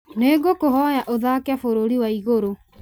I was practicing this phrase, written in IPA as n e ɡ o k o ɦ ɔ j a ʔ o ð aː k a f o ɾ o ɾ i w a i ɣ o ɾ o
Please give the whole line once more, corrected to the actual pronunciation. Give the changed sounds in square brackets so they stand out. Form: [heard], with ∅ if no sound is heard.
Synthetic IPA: n e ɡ o k o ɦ ɔ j a ʔ o ð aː k a f o ɾ o ɾ i w a i ɣ o ɾ o

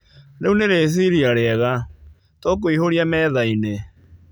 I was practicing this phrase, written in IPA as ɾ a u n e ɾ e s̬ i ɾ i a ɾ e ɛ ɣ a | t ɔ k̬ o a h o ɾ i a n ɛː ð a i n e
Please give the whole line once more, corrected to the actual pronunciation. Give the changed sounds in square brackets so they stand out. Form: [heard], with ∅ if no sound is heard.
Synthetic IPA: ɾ [e] u n e ɾ e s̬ i ɾ i a ɾ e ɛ ɣ a | t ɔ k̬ o [i] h o ɾ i a [m] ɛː ð a i n e

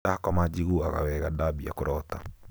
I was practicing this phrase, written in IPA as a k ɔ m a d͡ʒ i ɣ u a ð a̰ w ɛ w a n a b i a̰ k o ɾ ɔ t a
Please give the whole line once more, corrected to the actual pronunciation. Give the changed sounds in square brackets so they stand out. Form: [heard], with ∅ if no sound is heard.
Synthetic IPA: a k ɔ m a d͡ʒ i ɣ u a [ɣ] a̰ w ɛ [ɣ] a [d] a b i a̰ k o ɾ ɔ t a

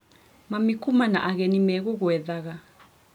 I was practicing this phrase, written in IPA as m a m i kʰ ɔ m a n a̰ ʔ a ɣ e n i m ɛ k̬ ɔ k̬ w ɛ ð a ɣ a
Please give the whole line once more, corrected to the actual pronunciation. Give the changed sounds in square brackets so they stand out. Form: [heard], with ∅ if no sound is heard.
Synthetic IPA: m a m i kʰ [u] m a n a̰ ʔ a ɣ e n i m ɛ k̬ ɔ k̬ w ɛ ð a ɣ a

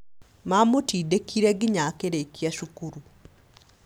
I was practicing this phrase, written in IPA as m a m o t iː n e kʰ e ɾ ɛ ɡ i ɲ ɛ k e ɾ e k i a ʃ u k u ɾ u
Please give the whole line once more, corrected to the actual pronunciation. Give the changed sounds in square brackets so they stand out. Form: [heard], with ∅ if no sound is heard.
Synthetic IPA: m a m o t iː [d] e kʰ [i] ɾ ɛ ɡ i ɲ [a] k e ɾ e k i a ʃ u k u ɾ u

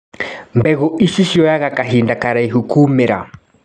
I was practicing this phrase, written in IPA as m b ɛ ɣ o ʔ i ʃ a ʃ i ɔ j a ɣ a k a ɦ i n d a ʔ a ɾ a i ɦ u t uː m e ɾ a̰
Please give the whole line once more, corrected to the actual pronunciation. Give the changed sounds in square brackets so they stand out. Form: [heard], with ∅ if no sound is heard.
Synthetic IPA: m b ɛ ɣ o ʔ i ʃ [i] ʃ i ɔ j a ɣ a k a ɦ i n d a [k] a ɾ a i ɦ u [k] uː m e ɾ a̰

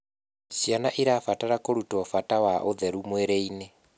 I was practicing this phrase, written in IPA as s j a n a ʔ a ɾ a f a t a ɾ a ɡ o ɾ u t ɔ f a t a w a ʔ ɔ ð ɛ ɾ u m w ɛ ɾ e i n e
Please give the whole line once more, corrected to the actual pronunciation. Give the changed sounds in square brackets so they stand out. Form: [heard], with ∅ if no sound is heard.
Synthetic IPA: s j a n a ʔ [i] ɾ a f a t a ɾ a [k] o ɾ u t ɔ f a t a w a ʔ [o] ð ɛ ɾ u m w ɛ ɾ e i n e

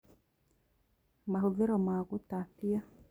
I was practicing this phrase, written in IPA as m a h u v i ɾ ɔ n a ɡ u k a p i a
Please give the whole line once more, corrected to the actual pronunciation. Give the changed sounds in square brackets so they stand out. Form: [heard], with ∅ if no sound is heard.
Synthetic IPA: m a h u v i ɾ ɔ [m] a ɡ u [t] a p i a

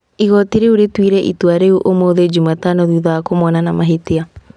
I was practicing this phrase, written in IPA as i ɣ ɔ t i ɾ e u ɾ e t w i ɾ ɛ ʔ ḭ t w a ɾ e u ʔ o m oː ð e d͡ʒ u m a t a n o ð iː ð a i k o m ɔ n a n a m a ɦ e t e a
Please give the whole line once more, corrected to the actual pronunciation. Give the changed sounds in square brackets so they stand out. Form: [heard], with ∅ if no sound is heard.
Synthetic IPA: i ɣ ɔ t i ɾ e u ɾ e t w i ɾ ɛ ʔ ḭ t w a ɾ e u ʔ o m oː ð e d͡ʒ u m a t a n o ð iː ð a [a] k o m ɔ n a n a m a ɦ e t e a

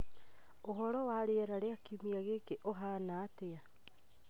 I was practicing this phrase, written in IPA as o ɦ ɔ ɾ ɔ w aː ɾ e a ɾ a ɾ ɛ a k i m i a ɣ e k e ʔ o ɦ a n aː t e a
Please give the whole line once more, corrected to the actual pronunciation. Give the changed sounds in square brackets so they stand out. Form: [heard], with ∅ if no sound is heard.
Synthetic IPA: o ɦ ɔ ɾ ɔ w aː ɾ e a ɾ a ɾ [e] a k i m i a ɣ e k e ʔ o ɦ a n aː t e a

